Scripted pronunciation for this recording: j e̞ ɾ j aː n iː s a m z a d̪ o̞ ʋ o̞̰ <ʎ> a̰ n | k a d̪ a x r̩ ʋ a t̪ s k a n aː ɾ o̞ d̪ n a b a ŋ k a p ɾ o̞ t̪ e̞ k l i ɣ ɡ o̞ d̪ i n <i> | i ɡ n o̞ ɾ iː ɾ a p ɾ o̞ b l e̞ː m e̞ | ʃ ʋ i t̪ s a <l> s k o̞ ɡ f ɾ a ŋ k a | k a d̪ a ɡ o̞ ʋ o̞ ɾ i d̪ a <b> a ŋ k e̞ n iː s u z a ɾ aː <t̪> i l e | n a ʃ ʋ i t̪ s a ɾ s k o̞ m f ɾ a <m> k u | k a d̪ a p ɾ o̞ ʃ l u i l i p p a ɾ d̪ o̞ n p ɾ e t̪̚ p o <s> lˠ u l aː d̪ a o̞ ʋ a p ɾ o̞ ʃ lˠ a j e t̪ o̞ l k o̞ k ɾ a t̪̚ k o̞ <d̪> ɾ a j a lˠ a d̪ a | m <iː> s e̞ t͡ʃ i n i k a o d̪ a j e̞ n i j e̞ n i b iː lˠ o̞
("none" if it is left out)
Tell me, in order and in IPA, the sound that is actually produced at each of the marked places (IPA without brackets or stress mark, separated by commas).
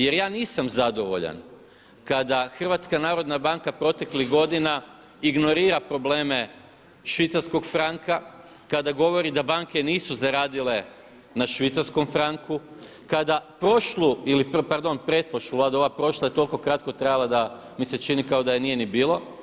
ʎ, a, ɾ, b, d̪, ŋ, ʃ, t̪, i